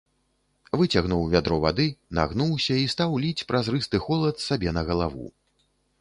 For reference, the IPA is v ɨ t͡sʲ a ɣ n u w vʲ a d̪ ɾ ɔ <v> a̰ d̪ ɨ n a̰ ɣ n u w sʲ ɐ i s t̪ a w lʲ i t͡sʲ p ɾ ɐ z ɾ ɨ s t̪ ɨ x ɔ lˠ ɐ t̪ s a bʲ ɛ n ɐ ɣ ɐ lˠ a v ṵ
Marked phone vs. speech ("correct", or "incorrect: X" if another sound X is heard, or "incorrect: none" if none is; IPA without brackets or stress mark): correct